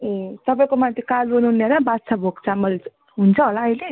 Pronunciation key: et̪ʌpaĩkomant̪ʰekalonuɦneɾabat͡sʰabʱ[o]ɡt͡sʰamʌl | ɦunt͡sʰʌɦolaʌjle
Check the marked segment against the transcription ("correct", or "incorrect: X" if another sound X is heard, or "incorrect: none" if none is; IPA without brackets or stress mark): correct